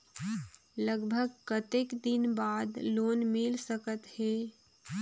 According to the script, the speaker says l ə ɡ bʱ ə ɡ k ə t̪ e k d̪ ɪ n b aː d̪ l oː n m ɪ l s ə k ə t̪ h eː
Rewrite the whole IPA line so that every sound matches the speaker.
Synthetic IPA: l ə ɡ bʱ ə ɡ k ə t̪ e k d̪ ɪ n b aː d̪ l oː n m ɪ l s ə k ə t̪ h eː